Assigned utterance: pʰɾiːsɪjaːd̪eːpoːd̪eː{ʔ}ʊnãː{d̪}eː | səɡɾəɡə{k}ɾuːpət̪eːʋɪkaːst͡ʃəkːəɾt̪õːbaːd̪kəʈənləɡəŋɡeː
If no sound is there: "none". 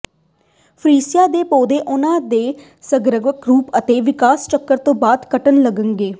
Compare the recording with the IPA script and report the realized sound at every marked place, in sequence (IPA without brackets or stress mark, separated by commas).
ʔ, d̪, k